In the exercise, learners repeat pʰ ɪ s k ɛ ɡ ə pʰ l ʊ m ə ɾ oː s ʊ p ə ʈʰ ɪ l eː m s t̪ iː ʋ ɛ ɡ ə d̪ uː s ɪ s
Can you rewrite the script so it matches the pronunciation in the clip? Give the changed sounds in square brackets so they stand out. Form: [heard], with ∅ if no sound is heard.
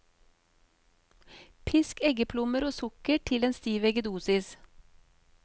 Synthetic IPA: pʰ ɪ s k ɛ ɡ ə pʰ l ʊ m ə ɾ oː s ʊ [k] ə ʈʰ ɪ l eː [n] s t̪ iː ʋ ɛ ɡ ə d̪ uː s ɪ s